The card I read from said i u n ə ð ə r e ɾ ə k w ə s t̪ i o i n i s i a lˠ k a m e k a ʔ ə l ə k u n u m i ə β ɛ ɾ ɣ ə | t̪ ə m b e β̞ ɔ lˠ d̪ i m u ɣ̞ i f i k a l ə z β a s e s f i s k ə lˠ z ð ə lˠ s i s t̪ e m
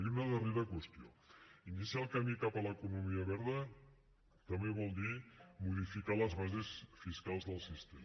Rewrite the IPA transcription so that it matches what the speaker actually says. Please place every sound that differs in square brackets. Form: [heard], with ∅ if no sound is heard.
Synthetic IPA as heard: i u n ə ð ə r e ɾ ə k w ə s t̪ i o i n i s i a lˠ k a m [i] k a [p] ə l ə k u n u m i ə β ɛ ɾ [ð] ə | t̪ ə m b e β̞ ɔ lˠ d̪ i m u [ð̞] i f i k a l ə z β a [z] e s f i s k [a] lˠ z ð ə lˠ s i s t̪ e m